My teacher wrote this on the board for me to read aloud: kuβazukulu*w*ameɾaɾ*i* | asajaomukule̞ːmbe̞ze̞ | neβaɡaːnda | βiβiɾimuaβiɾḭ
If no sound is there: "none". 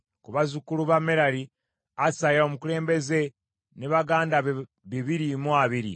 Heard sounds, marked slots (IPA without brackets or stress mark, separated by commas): β, i